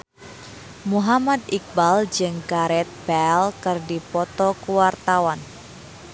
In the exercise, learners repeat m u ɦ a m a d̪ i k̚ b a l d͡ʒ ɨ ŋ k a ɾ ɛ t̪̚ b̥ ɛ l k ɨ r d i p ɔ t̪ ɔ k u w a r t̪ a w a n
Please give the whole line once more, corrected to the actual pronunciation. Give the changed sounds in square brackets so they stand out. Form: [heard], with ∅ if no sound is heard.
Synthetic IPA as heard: m u ɦ a m a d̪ i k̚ b a l d͡ʒ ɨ ŋ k a ɾ ɛ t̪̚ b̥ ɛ l k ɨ r d i p ɔ t̪ ɔ k u w a r t̪ a w a n